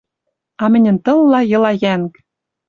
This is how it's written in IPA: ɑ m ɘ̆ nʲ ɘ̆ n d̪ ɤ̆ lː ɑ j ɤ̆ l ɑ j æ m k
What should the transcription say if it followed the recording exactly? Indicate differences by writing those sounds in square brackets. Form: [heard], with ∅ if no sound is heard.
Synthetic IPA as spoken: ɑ m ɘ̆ nʲ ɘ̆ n [t̪] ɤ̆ lː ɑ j ɤ̆ l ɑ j æ [ŋ] k

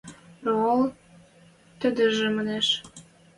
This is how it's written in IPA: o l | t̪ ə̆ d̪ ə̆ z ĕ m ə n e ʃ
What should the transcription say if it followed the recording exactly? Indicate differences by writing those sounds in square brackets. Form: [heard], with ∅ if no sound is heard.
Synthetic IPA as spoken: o l | t̪ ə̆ d̪ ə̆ [ʒ] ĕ m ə n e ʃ

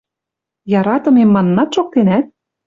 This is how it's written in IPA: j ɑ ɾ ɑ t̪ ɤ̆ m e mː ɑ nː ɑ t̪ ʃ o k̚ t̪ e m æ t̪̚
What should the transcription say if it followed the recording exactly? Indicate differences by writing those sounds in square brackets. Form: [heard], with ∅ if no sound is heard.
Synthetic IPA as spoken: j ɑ ɾ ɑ t̪ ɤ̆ m e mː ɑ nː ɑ t̪ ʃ o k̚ t̪ e [n] æ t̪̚

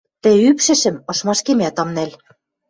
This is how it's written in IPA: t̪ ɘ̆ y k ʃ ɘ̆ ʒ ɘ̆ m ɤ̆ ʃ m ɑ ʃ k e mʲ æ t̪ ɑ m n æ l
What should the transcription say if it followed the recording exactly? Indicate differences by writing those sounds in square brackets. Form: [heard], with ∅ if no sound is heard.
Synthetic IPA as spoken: t̪ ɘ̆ y [p] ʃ ɘ̆ [ʃ] ɘ̆ m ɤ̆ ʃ m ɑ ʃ k e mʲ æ t̪ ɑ m n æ l

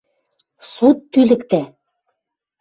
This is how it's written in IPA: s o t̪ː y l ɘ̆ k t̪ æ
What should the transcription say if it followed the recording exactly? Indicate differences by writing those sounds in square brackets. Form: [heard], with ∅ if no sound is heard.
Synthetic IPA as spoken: s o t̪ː y l ɘ̆ k t̪ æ

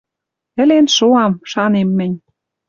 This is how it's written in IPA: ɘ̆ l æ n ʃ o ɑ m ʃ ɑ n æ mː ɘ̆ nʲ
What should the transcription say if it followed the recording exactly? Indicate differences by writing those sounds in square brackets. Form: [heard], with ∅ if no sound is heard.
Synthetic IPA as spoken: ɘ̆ l [e] n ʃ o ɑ m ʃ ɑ n [e] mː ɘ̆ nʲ

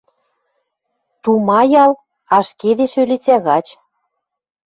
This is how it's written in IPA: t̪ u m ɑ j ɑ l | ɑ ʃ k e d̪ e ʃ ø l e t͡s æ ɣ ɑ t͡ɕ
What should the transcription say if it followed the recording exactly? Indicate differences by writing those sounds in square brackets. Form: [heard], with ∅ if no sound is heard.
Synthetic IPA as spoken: t̪ u m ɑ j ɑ l | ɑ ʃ k e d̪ e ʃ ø l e t͡s æ ɣ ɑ t͡ɕ

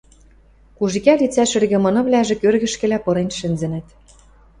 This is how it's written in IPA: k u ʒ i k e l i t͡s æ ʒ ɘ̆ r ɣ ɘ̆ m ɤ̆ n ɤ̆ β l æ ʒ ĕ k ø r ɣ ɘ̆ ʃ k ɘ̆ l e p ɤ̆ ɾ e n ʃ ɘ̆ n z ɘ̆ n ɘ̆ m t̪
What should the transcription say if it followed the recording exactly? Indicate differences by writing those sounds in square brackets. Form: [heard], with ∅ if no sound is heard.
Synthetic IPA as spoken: k u ʒ i k [æ] l i t͡s æ [ʃ] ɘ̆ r ɣ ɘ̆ m ɤ̆ n ɤ̆ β l æ ʒ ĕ k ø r ɣ ɘ̆ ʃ k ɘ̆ l [æ] p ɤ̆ ɾ e n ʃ ɘ̆ n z ɘ̆ n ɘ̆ [∅] t̪

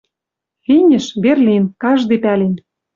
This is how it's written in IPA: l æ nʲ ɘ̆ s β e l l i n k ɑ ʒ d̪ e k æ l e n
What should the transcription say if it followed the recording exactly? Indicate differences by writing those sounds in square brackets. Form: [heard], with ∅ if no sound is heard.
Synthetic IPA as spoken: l [i] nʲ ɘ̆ [ʃ] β e [r] l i n k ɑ ʒ d̪ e [p] æ l e n

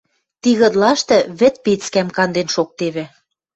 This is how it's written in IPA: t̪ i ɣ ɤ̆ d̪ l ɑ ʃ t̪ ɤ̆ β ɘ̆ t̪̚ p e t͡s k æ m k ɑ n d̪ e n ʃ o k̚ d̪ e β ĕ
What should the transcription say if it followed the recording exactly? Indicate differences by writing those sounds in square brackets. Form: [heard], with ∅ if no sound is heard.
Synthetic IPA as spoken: t̪ i ɣ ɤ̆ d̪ l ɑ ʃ t̪ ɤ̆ β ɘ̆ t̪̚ p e t͡s k æ m k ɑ n d̪ e n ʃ o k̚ [t̪] e β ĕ

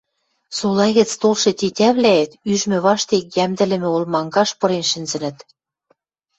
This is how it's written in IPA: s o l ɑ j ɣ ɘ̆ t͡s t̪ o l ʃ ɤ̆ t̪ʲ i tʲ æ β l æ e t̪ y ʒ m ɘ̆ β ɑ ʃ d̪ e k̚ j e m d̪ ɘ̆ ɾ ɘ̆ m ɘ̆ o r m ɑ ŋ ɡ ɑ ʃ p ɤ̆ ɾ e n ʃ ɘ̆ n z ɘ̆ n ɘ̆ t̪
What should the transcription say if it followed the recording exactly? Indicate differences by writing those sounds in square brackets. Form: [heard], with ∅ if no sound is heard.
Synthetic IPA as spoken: s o l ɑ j ɣ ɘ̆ t͡s t̪ o l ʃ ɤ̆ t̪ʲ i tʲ æ β l æ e t̪ y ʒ m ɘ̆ β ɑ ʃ [t̪] e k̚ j [æ] m d̪ ɘ̆ [l] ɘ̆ m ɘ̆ o [l] m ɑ ŋ ɡ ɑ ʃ p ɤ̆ ɾ e n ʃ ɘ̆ n z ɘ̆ n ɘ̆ t̪

